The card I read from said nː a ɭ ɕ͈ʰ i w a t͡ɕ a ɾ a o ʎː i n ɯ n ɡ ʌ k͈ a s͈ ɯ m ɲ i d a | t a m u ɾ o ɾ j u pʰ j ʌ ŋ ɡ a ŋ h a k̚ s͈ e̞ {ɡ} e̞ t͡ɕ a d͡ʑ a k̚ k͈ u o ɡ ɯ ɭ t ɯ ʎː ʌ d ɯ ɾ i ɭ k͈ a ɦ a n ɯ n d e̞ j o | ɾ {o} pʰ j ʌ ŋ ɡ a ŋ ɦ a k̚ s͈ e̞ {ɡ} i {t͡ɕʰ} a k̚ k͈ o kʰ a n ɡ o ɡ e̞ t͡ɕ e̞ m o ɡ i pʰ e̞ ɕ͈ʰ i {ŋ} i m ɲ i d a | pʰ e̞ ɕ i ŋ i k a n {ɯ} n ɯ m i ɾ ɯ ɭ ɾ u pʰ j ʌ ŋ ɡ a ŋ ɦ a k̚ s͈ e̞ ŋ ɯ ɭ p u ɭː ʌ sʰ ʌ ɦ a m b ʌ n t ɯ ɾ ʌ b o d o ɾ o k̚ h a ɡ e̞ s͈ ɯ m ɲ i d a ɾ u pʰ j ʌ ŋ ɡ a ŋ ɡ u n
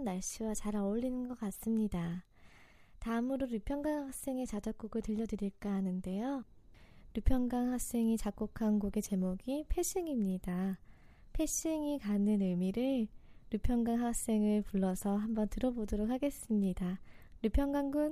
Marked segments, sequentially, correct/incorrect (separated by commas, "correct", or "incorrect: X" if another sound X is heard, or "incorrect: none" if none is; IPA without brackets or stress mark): incorrect: ŋ, incorrect: u, incorrect: ŋ, incorrect: t͡ɕ, correct, correct